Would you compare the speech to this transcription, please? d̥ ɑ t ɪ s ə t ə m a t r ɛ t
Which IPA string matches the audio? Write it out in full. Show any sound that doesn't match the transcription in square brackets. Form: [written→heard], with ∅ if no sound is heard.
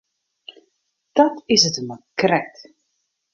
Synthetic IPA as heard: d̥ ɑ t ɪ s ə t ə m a [t→k] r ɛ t